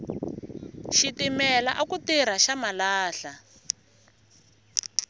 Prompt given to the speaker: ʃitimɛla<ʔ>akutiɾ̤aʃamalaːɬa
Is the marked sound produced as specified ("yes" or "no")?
yes